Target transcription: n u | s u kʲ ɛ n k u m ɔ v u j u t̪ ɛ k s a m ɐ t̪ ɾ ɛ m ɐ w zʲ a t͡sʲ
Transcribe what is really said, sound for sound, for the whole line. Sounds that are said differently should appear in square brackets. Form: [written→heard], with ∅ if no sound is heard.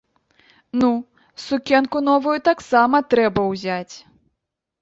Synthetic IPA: n u | s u kʲ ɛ n k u [m→n] ɔ v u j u t̪ [ɛ→a] k s a m ɐ t̪ ɾ ɛ [m→b] ɐ w zʲ a t͡sʲ